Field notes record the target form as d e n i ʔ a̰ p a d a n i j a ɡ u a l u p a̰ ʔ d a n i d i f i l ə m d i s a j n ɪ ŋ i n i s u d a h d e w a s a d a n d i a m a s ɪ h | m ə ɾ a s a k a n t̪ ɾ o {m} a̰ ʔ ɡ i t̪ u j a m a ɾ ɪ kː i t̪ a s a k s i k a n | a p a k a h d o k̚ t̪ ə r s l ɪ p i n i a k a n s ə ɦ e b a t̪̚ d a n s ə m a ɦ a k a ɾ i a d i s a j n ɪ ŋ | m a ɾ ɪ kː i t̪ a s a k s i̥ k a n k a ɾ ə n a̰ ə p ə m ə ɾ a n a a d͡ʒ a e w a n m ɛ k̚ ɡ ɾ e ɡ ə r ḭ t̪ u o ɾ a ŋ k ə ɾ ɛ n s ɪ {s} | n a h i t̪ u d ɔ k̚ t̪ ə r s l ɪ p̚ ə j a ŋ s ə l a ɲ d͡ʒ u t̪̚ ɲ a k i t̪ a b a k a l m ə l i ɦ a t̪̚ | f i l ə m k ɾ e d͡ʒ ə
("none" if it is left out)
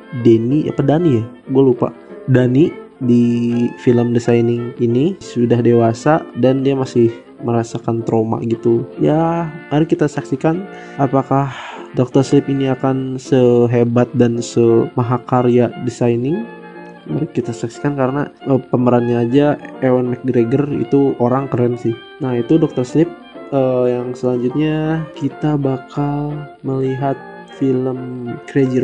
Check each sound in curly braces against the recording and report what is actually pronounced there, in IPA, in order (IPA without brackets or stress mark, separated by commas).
m, h